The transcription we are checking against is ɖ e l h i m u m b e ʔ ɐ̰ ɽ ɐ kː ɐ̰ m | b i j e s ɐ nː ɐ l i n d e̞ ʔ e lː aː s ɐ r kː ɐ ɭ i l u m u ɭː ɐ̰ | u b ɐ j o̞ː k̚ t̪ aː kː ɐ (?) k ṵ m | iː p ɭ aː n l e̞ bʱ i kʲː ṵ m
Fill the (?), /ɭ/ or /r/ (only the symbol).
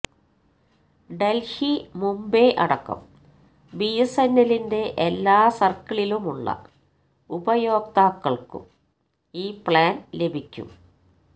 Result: ɭ